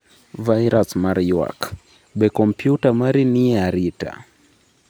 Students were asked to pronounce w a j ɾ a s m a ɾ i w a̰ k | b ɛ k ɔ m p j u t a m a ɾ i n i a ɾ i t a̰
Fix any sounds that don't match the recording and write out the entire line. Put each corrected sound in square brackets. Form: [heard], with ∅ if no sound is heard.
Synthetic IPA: [v] a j ɾ a s m a ɾ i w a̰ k | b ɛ k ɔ m p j u t a m a ɾ i n i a ɾ i t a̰